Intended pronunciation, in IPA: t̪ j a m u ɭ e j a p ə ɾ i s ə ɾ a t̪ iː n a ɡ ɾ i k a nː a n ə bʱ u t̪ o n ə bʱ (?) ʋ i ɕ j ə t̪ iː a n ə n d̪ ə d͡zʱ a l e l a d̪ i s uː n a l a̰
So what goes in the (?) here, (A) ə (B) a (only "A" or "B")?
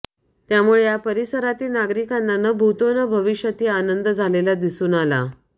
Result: A